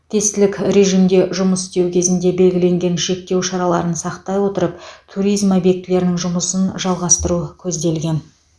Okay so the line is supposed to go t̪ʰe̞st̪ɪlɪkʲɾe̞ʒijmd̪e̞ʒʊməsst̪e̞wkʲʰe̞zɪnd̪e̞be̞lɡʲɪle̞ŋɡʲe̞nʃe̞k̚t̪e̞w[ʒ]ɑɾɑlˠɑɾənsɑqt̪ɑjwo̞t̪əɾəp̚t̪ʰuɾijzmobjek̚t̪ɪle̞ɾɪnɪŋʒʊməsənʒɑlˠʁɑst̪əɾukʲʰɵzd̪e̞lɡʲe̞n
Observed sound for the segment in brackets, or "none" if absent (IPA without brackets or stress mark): ʃ